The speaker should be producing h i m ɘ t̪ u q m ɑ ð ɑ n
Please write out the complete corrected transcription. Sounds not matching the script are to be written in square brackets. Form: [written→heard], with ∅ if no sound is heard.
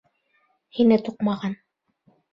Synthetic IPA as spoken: h i [m→n] ɘ t̪ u q m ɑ [ð→ʁ] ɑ n